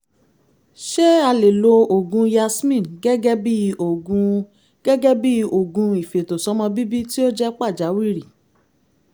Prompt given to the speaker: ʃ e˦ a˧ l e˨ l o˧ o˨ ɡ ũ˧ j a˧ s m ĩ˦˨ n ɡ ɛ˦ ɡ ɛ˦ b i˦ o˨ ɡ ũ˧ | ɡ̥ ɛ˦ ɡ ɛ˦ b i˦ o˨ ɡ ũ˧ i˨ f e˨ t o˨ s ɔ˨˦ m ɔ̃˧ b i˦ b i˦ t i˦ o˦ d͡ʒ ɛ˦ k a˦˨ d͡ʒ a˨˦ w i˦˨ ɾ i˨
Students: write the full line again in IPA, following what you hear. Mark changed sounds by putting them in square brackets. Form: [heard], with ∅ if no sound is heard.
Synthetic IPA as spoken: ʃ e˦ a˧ l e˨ l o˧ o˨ ɡ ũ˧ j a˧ s m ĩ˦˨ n ɡ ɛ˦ ɡ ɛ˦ b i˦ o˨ ɡ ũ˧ | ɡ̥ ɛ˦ ɡ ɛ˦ b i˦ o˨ ɡ ũ˧ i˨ f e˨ t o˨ s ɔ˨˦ m ɔ̃˧ b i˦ b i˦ t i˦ o˦ d͡ʒ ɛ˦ [k͡p] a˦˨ d͡ʒ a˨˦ w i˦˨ ɾ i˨